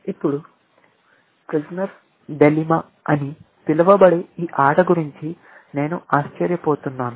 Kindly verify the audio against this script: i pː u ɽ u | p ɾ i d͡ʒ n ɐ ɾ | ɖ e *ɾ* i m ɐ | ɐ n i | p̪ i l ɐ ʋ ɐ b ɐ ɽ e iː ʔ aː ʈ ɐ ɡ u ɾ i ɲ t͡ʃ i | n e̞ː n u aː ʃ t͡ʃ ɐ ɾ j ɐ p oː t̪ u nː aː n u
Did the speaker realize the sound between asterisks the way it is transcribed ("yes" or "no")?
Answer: no